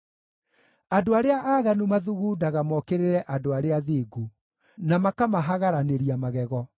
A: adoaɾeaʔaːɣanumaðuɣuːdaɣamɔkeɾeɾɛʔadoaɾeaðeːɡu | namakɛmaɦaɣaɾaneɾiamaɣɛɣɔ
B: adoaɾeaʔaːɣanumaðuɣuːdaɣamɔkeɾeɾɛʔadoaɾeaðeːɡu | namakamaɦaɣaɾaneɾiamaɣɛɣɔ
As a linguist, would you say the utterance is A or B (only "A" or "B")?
B